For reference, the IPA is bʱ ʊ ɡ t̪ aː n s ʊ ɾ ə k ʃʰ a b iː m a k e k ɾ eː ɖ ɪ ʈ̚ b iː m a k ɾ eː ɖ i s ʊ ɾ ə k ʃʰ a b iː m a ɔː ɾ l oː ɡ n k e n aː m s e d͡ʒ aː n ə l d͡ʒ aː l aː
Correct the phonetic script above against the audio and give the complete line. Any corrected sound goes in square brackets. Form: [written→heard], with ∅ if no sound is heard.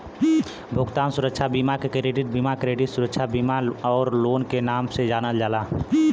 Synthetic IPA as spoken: bʱ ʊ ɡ t̪ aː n s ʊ ɾ ə k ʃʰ a b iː m a k e k ɾ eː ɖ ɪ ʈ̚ b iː m a k ɾ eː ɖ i s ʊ ɾ ə k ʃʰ a b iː m a ɔː ɾ l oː [ɡ→∅] n k e n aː m s e d͡ʒ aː n ə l d͡ʒ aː l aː